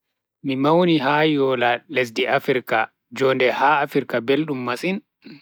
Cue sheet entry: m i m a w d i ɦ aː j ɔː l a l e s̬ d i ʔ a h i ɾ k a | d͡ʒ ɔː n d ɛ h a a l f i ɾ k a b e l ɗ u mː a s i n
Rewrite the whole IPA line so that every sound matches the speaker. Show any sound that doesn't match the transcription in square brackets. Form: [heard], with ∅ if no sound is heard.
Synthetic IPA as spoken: m i m a w [n] i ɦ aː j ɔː l a l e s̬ d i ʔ a [f] i ɾ k a | d͡ʒ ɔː n d ɛ h a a [∅] f i ɾ k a b e l ɗ u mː a s i n